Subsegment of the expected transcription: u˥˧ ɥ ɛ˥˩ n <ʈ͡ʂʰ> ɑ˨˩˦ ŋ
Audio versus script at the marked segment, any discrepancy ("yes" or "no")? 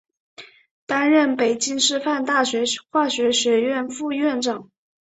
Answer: yes